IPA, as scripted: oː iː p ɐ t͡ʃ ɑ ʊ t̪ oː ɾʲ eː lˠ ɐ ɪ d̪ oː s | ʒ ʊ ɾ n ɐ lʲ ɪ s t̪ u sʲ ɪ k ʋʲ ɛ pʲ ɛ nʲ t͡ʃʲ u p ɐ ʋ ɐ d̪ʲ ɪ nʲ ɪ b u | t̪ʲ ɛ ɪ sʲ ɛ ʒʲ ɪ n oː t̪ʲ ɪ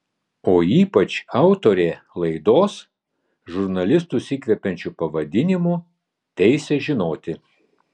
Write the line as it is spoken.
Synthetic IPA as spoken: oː iː p ɐ t͡ʃ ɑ ʊ t̪ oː ɾʲ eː lˠ ɐ ɪ d̪ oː s | ʒ ʊ ɾ n ɐ lʲ ɪ s t̪ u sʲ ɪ k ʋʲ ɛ pʲ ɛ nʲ t͡ʃʲ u p ɐ ʋ ɐ d̪ʲ ɪ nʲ ɪ m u | t̪ʲ ɛ ɪ sʲ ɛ ʒʲ ɪ n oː t̪ʲ ɪ